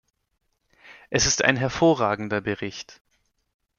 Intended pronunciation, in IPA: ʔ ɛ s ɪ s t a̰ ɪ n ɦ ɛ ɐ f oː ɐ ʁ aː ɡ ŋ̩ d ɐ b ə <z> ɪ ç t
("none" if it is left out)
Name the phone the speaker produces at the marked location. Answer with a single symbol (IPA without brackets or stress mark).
ʁ